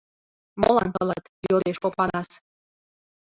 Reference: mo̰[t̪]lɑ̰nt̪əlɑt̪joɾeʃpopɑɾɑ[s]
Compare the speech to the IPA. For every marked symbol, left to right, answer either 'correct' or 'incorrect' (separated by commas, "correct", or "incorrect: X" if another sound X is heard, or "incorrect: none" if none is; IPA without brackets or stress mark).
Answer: incorrect: none, correct